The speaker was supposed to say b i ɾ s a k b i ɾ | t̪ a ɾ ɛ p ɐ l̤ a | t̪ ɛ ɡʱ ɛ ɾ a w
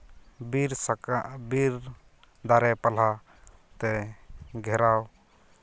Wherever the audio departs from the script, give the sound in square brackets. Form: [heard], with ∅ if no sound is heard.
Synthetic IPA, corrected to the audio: b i ɾ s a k b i ɾ | [d̪] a ɾ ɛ p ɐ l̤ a | t̪ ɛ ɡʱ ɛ ɾ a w